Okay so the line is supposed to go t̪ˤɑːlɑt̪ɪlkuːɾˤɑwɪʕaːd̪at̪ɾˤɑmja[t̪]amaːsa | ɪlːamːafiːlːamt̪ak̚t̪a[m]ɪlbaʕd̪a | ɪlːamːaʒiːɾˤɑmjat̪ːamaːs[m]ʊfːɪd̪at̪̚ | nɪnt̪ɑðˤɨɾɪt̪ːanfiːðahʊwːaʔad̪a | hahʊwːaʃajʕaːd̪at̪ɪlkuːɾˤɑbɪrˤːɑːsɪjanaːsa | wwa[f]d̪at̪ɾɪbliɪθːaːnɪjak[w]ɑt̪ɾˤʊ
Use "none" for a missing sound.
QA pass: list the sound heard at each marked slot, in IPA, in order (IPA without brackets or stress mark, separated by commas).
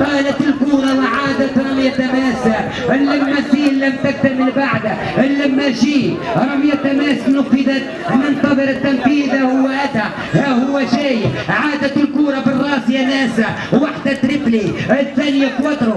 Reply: t̪, m, n, ħ, w